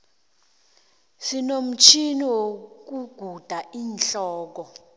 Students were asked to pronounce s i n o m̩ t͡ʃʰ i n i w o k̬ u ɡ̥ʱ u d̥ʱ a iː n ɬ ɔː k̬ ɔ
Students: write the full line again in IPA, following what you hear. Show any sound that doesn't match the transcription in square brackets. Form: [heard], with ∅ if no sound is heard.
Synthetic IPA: s i n o m̩ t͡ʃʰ i n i w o k̬ u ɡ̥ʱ u d̥ʱ a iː n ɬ ɔː k̬ ɔ